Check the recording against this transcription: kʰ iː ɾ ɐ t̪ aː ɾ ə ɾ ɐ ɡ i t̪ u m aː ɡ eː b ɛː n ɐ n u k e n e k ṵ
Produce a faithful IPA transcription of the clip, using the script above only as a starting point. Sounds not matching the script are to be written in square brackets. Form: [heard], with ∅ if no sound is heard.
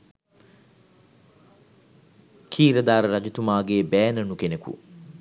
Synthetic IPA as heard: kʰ iː ɾ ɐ [d̪] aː ɾ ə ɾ ɐ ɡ i t̪ u m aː ɡ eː b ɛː n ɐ n u k e n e k ṵ